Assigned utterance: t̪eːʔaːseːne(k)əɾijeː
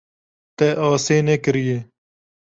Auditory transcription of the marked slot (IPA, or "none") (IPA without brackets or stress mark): k